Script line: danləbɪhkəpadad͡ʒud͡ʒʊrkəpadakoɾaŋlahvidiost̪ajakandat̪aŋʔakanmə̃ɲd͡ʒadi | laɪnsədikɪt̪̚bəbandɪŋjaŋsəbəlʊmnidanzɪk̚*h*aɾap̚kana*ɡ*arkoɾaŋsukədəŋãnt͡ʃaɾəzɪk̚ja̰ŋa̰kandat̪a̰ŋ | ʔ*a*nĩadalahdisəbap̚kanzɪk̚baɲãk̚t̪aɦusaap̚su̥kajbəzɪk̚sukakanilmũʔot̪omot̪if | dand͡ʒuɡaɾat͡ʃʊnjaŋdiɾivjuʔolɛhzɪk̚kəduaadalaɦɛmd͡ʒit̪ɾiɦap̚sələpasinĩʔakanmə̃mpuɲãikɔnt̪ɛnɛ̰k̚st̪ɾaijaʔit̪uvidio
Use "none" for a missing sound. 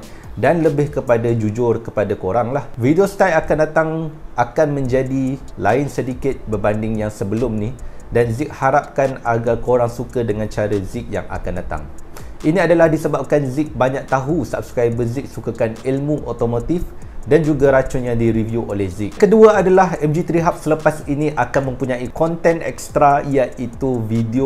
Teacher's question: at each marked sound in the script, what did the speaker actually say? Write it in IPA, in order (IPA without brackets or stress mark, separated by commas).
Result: h, ɡ, i